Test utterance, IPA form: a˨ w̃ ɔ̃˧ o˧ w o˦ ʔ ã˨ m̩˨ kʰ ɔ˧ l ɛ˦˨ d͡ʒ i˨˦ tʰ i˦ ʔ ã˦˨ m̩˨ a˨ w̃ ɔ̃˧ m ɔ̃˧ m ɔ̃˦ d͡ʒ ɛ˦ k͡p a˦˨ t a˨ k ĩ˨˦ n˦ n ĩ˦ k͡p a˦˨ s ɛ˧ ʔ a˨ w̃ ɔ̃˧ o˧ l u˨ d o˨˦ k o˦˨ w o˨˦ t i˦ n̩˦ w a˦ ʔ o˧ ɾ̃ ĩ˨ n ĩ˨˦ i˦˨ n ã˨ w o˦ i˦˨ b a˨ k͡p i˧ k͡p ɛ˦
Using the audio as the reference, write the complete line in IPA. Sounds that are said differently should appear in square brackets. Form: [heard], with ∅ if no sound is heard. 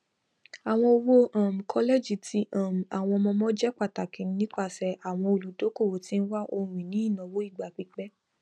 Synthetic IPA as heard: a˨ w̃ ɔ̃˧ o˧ w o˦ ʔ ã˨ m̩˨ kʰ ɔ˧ l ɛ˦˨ d͡ʒ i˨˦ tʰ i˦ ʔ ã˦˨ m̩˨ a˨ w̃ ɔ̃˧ m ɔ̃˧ m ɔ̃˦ d͡ʒ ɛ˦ k͡p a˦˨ t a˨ k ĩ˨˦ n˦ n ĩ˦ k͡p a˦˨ s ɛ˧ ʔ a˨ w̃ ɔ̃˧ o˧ l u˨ d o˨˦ k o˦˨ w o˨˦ t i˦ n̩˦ w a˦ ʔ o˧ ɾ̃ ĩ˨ n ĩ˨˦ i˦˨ n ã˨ w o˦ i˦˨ [ɡ͡b] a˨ k͡p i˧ k͡p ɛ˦